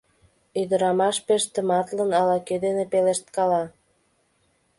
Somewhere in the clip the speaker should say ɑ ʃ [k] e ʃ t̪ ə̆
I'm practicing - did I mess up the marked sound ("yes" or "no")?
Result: yes